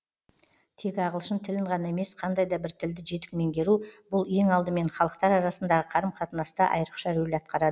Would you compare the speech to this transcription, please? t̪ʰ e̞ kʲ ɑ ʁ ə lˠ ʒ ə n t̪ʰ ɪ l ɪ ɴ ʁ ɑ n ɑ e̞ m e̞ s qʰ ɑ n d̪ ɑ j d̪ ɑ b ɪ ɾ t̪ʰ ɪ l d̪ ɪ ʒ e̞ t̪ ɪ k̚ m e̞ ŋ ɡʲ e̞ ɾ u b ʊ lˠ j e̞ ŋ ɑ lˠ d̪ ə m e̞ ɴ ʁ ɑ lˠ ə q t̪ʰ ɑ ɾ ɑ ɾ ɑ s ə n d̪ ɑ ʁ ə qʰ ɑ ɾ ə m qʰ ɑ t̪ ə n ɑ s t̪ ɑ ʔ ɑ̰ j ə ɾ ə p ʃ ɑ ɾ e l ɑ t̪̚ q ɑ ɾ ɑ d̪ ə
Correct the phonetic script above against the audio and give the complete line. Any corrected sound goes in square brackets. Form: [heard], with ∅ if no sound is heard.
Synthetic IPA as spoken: t̪ʰ e̞ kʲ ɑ ʁ ə lˠ [ʃ] ə n t̪ʰ ɪ l ɪ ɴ ʁ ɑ n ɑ e̞ m e̞ s qʰ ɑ n d̪ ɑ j d̪ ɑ b ɪ ɾ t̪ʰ ɪ l d̪ ɪ ʒ e̞ t̪ ɪ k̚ m e̞ ŋ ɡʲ e̞ ɾ u b ʊ lˠ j e̞ ŋ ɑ lˠ d̪ ə m e̞ ɴ [χ] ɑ lˠ ə q [t̪] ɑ ɾ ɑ ɾ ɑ s ə n d̪ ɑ ʁ ə qʰ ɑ ɾ ə m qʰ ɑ t̪ ə n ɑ s t̪ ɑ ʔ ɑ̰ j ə ɾ ə [q] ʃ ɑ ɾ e l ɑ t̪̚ q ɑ ɾ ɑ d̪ ə